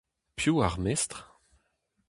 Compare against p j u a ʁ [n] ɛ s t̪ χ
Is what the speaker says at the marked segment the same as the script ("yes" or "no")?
no